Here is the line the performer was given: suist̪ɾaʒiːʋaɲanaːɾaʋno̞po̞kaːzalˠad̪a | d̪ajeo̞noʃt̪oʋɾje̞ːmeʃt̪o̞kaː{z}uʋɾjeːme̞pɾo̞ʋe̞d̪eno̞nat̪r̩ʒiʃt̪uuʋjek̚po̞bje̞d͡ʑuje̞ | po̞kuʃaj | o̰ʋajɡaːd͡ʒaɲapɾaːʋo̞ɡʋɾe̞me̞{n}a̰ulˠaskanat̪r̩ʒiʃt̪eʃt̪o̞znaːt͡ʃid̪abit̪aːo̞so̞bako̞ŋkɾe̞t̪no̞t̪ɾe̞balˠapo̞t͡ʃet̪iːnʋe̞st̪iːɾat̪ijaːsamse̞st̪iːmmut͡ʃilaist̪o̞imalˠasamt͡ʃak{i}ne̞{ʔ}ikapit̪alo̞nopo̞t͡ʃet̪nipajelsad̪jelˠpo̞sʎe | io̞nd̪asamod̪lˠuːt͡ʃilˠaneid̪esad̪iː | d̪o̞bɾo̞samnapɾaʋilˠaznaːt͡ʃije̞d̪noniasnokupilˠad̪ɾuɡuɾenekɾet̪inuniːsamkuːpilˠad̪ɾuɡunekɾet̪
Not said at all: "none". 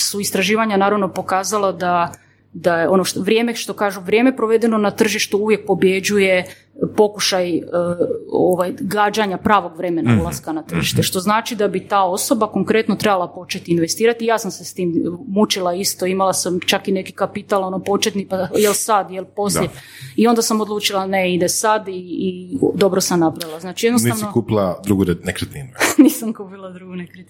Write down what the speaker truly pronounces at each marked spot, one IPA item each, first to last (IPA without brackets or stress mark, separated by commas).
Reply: ʒ, n, i, k